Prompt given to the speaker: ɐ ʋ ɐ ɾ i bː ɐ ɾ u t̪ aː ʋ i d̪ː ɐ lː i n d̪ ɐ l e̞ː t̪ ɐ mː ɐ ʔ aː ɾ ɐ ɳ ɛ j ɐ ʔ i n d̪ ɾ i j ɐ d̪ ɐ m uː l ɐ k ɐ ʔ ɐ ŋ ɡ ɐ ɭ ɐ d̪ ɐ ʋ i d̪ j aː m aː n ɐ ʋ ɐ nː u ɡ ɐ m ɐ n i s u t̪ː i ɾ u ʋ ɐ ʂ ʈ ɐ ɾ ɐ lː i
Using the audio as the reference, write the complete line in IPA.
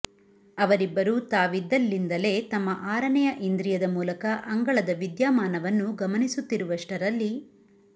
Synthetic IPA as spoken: ɐ ʋ ɐ ɾ i bː ɐ ɾ u t̪ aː ʋ i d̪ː ɐ lː i n d̪ ɐ l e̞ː t̪ ɐ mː ɐ ʔ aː ɾ ɐ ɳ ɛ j ɐ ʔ i n d̪ ɾ i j ɐ d̪ ɐ m uː l ɐ k ɐ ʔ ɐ ŋ ɡ ɐ ɭ ɐ d̪ ɐ ʋ i d̪ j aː m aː n ɐ ʋ ɐ nː u ɡ ɐ m ɐ n i s u t̪ː i ɾ u ʋ ɐ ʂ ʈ ɐ ɾ ɐ lː i